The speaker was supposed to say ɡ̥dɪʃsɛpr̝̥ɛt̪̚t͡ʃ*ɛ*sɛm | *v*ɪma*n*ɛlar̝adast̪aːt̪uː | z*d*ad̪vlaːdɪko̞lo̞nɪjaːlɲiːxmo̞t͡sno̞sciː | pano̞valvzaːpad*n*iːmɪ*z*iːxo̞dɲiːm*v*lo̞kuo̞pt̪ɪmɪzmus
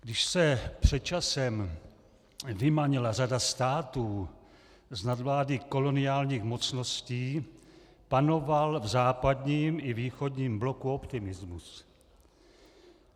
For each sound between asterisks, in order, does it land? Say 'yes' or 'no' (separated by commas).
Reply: no, yes, no, no, no, no, no